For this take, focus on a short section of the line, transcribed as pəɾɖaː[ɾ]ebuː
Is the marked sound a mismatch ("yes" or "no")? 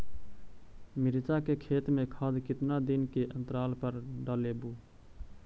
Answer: yes